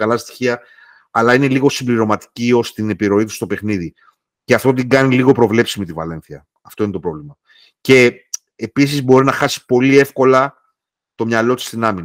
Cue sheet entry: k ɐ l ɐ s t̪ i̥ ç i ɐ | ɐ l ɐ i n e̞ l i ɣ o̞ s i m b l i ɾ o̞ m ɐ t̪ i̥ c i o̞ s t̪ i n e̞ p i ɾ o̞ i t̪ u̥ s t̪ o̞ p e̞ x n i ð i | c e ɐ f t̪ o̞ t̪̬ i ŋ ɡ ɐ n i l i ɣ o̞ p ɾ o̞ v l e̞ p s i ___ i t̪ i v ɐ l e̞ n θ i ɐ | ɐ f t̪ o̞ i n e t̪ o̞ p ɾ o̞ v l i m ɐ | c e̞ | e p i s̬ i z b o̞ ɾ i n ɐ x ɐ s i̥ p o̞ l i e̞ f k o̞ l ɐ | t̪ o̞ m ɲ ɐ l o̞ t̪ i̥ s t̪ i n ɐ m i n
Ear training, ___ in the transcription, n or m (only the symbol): m